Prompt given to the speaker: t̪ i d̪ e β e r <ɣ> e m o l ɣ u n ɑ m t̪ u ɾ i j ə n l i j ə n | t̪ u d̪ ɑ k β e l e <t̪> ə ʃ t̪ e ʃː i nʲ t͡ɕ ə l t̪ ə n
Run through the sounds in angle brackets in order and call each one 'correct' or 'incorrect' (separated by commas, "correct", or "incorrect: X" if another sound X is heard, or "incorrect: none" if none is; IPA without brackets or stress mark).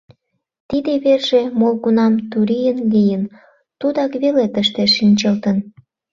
incorrect: ʒ, correct